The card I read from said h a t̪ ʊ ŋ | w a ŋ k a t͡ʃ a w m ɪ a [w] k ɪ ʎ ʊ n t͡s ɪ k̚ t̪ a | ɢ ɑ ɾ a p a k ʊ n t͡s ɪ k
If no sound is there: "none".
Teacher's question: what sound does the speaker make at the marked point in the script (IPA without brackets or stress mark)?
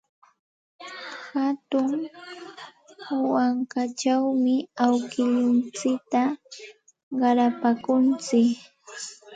w